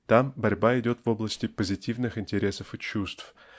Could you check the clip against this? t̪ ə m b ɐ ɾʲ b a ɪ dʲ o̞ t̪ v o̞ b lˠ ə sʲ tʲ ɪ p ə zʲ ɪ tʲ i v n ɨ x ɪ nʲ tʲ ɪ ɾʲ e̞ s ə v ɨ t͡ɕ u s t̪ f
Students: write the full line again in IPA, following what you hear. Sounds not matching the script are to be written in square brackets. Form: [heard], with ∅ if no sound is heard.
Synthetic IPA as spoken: t̪ [a] m b ɐ ɾʲ b a ɪ dʲ o̞ t̪ v o̞ b lˠ ə sʲ tʲ ɪ p ə zʲ ɪ tʲ i v n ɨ x ɪ nʲ tʲ ɪ ɾʲ e̞ s ə [f] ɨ t͡ɕ u s t̪ f